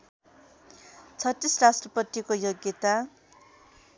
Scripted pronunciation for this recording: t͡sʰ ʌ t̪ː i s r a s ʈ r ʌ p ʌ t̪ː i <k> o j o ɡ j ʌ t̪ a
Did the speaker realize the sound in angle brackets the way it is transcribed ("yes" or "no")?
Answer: yes